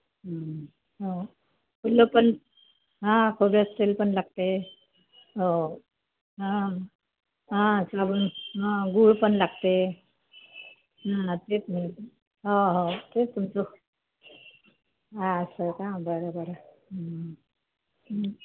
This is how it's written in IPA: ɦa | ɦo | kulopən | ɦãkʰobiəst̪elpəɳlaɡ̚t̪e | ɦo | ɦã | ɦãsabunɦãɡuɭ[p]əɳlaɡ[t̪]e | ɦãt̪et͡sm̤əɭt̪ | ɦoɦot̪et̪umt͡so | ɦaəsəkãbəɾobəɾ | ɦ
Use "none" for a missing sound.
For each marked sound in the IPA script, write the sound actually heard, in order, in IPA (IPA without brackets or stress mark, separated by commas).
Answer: p, t̪